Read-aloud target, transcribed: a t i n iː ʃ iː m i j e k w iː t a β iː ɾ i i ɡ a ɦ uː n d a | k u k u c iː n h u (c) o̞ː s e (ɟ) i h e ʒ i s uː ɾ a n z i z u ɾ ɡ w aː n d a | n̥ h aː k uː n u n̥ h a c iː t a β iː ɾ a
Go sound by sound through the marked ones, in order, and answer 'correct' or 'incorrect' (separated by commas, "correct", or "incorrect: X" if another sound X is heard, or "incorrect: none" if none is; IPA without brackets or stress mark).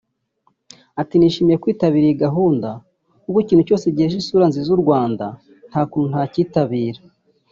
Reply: correct, correct